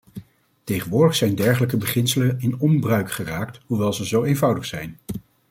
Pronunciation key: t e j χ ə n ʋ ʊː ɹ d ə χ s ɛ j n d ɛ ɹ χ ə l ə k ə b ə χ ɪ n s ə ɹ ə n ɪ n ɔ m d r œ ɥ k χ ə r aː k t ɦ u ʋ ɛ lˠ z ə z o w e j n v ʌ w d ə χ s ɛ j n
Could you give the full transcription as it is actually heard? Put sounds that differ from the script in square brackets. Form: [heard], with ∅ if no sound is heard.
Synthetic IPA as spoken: t e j χ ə n ʋ ʊː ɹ d ə χ s ɛ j n d ɛ ɹ χ ə l ə k ə b ə χ ɪ n s ə [l] ə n ɪ n ɔ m [b] r œ ɥ k χ ə r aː k t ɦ u ʋ ɛ lˠ z ə z o w e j n v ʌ w d ə χ s ɛ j n